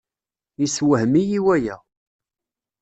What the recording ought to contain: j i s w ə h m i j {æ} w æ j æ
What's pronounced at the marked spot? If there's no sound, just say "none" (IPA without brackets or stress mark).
i